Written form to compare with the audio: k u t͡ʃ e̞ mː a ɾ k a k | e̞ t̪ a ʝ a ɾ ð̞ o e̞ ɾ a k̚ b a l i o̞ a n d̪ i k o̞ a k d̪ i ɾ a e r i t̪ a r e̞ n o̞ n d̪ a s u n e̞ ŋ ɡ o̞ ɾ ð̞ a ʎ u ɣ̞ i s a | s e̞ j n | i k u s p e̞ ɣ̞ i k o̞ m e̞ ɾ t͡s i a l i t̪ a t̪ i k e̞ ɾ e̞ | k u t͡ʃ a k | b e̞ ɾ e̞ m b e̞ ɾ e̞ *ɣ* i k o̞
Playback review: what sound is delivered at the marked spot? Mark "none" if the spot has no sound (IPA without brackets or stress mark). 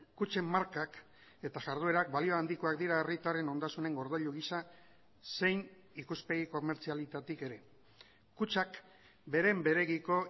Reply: ɣ